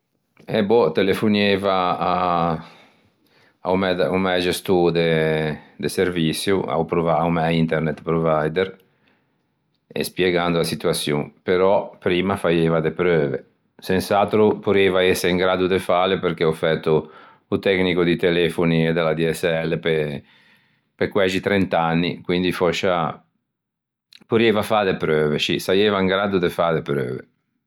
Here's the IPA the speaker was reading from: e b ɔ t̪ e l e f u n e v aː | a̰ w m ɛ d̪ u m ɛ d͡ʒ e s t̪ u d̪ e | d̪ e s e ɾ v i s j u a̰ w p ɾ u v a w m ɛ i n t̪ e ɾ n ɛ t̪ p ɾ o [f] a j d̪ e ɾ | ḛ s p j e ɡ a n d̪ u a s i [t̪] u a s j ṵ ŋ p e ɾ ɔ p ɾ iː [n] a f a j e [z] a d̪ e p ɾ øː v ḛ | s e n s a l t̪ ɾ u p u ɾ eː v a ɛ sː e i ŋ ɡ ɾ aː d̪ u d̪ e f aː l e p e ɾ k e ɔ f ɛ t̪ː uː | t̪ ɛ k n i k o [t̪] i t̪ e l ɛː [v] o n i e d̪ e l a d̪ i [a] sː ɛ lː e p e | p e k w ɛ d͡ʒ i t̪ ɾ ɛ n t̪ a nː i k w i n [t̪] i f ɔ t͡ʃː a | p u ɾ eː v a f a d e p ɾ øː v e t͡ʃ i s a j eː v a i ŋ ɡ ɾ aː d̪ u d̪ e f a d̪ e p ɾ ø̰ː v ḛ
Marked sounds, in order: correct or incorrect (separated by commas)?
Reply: incorrect, correct, incorrect, incorrect, incorrect, incorrect, incorrect, incorrect